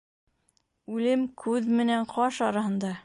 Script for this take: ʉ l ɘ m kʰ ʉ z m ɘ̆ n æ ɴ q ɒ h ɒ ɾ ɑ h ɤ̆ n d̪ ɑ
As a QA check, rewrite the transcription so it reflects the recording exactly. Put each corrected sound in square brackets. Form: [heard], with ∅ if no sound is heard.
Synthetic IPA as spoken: ʉ l ɘ m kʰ ʉ [ð] m ɘ̆ n æ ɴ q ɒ [ʃ] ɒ ɾ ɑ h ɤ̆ n d̪ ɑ